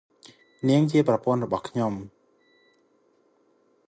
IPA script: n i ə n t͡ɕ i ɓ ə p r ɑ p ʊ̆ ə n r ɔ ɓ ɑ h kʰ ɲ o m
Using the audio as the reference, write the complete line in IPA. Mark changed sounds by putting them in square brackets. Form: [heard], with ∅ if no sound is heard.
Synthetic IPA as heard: n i ə [ŋ] t͡ɕ i [∅] ə p r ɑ p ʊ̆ ə n r ɔ ɓ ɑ h kʰ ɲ o m